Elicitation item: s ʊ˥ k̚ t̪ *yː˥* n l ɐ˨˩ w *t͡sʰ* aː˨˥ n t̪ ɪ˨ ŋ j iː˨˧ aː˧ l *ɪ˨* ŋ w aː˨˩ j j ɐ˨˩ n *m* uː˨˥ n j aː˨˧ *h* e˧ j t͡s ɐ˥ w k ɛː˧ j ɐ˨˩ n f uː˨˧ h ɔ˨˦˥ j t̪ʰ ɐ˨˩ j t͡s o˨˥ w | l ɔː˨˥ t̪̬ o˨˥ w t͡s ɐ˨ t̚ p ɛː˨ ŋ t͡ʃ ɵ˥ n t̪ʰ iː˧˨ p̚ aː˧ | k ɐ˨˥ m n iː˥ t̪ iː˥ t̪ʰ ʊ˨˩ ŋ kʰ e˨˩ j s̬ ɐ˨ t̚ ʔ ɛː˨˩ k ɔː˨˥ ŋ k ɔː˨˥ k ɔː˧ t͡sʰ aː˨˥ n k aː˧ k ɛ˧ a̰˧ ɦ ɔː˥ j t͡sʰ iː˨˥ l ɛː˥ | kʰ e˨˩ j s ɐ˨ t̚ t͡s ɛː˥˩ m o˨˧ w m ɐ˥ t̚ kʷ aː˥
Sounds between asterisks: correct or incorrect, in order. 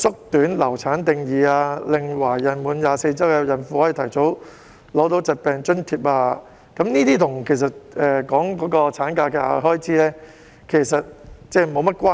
incorrect, correct, correct, correct, incorrect

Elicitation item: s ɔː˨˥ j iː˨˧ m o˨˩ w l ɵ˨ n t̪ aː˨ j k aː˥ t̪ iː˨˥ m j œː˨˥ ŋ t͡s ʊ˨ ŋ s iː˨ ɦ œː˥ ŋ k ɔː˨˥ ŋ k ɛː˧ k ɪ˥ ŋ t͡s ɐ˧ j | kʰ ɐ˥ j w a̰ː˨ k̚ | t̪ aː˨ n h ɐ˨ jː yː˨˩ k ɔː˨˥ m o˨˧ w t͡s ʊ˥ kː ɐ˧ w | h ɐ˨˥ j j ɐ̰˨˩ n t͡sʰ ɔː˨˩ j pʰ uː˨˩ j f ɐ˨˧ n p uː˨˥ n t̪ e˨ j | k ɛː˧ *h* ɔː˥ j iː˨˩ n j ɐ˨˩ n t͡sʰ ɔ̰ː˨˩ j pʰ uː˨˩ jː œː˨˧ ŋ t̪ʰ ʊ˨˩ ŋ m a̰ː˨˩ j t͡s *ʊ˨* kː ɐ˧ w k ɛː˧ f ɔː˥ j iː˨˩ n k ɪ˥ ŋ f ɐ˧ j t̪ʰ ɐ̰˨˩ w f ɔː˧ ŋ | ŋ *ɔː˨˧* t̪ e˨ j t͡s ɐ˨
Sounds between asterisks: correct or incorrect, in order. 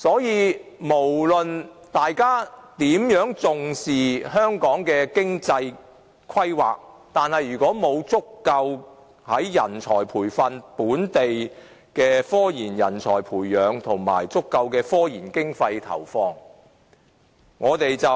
incorrect, incorrect, correct

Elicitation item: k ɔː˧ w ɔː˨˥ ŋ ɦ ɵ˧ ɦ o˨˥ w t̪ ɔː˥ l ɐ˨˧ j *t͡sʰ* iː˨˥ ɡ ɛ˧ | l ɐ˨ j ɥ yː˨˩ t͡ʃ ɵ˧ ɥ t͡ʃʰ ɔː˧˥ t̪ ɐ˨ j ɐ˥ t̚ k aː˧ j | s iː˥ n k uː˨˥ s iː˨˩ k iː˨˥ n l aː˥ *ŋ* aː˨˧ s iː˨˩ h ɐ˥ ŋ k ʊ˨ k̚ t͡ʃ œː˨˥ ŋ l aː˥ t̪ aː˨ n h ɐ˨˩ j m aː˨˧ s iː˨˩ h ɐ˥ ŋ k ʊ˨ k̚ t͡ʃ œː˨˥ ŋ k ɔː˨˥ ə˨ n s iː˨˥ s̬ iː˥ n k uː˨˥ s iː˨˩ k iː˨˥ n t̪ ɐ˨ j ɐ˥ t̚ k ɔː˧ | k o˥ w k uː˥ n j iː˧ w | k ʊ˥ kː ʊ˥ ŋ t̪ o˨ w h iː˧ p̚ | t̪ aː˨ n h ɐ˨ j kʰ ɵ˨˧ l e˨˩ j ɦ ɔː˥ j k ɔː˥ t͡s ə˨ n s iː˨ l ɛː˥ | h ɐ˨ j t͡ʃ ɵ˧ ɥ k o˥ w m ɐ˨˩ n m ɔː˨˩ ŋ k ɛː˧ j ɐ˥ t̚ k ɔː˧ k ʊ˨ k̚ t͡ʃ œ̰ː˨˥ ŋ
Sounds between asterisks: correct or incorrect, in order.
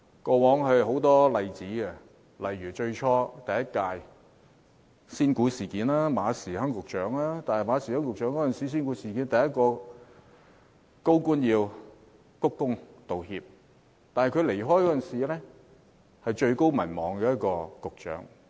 incorrect, incorrect

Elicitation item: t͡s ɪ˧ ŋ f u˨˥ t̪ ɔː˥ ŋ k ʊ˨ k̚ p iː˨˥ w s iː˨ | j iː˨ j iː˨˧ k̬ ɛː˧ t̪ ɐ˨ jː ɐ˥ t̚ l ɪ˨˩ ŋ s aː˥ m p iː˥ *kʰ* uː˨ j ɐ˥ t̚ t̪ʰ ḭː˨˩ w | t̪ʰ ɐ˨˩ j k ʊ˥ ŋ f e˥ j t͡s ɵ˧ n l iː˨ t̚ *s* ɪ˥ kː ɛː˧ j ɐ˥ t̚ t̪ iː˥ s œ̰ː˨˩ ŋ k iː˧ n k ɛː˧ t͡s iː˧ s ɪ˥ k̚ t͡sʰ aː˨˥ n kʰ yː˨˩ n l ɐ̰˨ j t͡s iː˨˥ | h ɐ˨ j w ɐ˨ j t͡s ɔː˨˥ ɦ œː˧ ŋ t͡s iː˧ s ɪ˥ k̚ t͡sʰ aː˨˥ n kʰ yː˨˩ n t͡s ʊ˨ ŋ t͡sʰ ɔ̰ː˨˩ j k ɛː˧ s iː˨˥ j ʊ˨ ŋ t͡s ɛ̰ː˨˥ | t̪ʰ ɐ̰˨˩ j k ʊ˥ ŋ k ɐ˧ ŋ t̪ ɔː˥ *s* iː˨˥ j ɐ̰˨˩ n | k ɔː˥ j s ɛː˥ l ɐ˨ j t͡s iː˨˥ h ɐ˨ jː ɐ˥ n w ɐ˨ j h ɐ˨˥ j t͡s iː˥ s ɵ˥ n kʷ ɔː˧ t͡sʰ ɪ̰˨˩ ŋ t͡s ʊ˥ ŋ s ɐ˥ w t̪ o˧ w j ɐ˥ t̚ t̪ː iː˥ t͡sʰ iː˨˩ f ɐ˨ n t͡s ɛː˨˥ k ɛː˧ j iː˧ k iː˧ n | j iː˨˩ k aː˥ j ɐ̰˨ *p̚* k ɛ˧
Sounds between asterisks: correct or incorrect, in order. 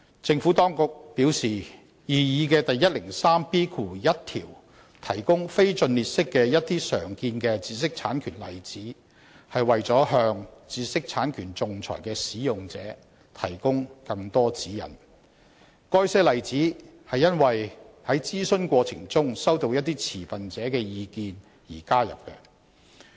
correct, correct, incorrect, correct

